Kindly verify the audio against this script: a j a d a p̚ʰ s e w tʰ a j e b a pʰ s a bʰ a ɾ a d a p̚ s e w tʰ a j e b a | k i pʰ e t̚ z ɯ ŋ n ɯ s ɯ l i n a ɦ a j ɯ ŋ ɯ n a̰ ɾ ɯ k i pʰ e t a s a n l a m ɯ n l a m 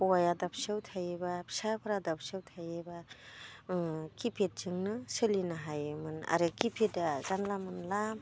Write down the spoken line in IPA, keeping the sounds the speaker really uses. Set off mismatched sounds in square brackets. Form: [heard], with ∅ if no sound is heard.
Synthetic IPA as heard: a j a d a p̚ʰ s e w tʰ a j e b a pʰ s a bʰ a ɾ a d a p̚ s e w tʰ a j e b a | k i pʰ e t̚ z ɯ ŋ n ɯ s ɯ l i n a ɦ a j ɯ [m] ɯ n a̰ ɾ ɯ k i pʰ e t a [z] a n l a m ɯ n l a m